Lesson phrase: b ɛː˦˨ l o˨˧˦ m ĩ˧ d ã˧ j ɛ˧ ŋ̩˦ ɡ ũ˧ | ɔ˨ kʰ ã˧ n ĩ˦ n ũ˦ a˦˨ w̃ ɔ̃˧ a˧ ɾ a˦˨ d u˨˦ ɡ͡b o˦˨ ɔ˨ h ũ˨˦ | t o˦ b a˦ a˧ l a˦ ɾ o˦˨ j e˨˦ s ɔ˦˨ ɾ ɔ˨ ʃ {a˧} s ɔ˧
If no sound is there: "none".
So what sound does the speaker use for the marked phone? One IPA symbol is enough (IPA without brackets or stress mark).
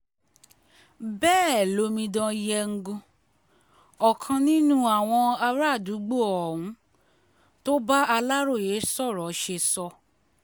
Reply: e˧